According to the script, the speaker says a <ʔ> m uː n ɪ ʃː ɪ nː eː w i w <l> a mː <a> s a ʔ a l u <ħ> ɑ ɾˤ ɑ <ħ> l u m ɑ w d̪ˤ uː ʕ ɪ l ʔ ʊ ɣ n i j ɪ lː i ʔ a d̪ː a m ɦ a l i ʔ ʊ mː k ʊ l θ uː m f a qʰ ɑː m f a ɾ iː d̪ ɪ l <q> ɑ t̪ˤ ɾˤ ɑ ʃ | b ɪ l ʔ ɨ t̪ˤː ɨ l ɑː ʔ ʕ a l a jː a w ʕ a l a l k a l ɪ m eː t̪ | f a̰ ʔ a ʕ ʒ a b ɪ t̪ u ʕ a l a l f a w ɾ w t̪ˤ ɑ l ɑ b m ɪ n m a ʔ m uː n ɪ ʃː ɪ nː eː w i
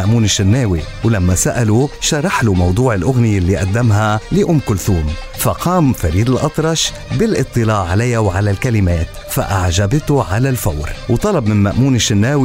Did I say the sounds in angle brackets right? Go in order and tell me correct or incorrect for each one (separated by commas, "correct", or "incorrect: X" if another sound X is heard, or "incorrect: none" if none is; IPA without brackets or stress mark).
correct, correct, correct, incorrect: ʃ, correct, incorrect: ʔ